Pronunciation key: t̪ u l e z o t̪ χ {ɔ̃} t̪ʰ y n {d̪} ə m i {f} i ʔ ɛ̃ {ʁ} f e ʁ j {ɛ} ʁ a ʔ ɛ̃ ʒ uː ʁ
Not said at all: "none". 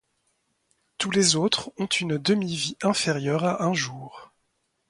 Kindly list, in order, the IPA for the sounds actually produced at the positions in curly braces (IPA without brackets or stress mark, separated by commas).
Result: ɔ̃, d̪, v, none, œ